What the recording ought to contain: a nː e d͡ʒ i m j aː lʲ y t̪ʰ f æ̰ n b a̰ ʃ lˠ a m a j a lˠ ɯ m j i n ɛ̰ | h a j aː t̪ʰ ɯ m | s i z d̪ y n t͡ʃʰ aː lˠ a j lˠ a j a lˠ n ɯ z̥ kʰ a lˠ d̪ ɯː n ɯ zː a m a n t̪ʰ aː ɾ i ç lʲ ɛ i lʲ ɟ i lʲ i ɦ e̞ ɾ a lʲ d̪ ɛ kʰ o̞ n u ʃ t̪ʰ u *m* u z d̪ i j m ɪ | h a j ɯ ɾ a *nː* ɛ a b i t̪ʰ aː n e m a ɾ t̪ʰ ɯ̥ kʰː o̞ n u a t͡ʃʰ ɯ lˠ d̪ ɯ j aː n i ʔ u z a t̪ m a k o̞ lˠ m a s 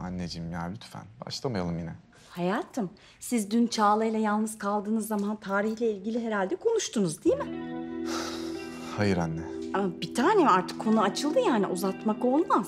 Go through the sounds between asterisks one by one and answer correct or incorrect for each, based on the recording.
incorrect, correct

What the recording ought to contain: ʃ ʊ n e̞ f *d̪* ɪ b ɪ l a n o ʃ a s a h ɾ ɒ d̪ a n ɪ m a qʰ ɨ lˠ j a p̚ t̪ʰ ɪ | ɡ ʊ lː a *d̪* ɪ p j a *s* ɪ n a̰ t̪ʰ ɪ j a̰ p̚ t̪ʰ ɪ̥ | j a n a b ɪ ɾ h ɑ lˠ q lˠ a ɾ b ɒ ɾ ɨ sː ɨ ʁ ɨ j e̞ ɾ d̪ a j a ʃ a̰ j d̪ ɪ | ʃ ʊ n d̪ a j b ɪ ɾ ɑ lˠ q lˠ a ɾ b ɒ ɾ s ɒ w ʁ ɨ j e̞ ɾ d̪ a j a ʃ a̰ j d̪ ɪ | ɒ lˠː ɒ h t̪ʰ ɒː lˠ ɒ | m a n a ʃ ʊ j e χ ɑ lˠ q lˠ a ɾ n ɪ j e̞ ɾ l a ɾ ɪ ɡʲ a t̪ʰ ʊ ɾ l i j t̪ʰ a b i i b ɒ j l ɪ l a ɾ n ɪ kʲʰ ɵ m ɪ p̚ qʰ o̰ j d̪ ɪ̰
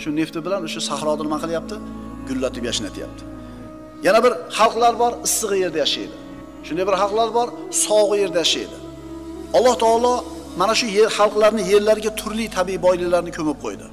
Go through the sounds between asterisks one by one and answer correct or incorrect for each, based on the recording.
incorrect, incorrect, incorrect

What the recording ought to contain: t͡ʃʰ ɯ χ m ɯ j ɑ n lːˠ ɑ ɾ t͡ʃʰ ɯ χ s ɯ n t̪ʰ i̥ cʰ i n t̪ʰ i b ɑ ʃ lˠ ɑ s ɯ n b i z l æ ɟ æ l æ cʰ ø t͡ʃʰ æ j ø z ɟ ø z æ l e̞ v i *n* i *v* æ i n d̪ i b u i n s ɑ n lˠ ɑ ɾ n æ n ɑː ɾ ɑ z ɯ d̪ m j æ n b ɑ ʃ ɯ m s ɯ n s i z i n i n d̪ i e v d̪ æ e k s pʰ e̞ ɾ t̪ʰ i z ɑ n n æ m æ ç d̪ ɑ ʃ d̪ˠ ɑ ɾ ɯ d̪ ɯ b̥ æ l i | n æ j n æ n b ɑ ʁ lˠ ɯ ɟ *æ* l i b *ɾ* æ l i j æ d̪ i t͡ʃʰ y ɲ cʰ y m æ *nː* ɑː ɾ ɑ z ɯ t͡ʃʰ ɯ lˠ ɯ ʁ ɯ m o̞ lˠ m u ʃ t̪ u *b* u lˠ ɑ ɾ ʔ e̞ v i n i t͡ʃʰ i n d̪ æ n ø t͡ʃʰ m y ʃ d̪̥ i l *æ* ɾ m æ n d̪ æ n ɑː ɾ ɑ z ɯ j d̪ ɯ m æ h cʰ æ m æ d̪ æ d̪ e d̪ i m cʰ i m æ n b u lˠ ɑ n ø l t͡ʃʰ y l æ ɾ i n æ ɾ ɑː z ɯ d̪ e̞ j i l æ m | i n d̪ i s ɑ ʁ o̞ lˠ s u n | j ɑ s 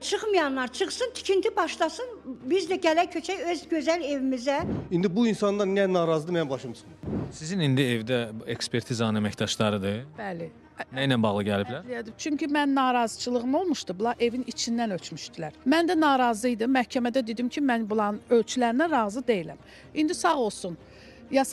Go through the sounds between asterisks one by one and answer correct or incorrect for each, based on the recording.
incorrect, incorrect, correct, incorrect, correct, correct, correct

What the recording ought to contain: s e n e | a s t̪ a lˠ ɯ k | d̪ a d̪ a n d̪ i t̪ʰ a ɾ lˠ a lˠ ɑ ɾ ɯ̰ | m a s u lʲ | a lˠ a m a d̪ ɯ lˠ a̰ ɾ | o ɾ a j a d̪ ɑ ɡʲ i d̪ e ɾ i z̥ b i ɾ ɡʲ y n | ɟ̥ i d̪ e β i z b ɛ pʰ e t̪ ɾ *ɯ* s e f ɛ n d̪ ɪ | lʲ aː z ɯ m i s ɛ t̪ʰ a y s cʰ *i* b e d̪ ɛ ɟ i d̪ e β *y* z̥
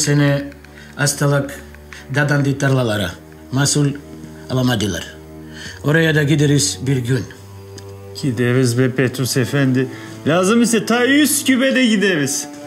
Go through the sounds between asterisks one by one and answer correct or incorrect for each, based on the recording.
incorrect, incorrect, incorrect

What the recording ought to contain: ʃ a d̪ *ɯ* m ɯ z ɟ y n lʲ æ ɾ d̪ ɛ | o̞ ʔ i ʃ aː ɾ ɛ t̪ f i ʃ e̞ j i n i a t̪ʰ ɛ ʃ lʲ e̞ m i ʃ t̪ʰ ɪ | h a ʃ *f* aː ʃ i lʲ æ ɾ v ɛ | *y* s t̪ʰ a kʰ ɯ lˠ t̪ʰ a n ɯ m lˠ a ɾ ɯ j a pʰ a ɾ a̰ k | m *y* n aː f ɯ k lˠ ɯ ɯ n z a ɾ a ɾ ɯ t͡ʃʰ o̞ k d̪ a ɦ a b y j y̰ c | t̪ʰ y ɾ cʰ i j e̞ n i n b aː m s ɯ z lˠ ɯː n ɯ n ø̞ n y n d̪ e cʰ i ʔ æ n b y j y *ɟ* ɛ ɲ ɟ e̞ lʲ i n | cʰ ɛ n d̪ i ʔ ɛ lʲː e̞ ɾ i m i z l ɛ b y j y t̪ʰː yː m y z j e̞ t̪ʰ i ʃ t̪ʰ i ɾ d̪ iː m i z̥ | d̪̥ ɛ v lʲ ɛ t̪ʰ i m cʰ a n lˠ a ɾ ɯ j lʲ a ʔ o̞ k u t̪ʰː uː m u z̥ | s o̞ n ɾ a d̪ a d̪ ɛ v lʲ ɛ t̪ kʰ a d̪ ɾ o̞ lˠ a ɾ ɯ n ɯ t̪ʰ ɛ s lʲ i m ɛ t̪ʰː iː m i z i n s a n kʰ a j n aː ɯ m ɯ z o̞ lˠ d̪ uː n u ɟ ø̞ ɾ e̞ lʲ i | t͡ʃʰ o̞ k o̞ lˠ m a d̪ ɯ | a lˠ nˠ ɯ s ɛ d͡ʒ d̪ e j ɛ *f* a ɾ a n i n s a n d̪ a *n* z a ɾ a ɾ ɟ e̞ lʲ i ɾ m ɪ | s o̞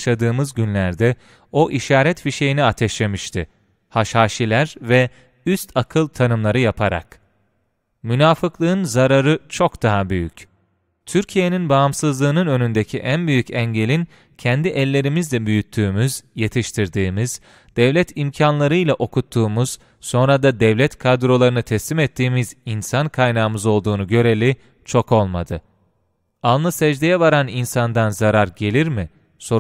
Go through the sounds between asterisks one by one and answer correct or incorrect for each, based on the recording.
incorrect, incorrect, correct, correct, incorrect, incorrect, correct

